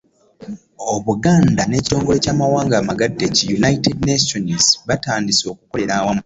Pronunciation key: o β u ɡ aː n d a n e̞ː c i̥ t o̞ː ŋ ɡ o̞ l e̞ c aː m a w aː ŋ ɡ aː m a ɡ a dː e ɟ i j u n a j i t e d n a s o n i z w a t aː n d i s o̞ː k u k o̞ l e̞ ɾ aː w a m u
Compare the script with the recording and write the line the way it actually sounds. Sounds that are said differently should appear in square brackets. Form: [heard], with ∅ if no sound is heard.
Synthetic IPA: o β u ɡ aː n d a n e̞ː c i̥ t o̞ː ŋ ɡ o̞ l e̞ c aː m a w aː ŋ ɡ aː m a ɡ a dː e [c] i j u n a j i t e d n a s o n i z [β] a t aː n d i s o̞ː k u k o̞ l e̞ ɾ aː w a m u